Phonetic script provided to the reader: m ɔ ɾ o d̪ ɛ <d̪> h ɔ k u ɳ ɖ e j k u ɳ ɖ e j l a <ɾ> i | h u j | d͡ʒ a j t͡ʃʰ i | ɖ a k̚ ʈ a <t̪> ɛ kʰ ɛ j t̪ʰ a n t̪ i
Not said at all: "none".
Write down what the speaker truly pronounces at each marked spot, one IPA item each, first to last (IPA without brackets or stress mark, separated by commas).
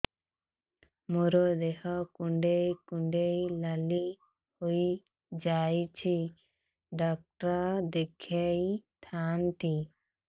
none, l, d̪